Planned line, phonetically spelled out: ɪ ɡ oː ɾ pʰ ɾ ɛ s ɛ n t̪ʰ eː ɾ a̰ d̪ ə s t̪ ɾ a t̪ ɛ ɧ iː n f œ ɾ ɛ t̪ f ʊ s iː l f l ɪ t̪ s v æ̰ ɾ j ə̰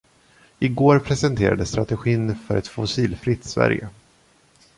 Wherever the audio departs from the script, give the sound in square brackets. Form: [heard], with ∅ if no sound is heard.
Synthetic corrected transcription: ɪ ɡ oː ɾ pʰ ɾ ɛ s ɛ n t̪ʰ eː ɾ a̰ d̪ ə s t̪ ɾ a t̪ ɛ ɧ iː n f œ ɾ ɛ t̪ f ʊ s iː l f [ɾ] ɪ t̪ s v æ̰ ɾ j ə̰